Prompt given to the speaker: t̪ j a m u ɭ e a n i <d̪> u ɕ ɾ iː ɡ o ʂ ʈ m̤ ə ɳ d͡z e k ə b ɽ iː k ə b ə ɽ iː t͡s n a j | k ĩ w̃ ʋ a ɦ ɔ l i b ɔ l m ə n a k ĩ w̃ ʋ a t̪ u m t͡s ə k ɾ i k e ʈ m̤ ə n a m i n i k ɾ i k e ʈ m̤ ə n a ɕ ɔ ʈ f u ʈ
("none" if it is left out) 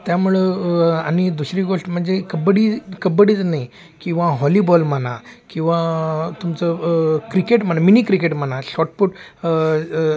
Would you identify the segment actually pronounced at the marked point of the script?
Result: d̪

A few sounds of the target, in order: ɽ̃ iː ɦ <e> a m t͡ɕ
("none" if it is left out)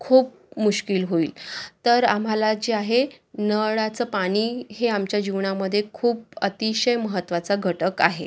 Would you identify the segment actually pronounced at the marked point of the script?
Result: e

